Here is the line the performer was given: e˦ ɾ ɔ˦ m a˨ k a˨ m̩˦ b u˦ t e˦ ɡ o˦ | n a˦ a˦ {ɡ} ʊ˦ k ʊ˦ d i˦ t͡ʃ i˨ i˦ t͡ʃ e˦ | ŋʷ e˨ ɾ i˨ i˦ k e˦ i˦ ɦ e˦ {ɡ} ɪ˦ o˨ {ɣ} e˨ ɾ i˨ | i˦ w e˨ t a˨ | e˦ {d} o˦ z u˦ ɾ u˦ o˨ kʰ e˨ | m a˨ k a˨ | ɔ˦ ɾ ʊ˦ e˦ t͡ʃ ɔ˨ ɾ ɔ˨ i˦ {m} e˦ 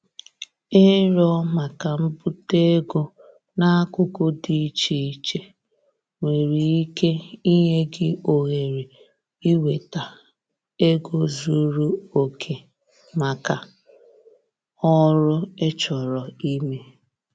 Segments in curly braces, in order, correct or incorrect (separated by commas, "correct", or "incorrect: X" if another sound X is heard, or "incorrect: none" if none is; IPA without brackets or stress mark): incorrect: k, correct, correct, incorrect: ɡ, correct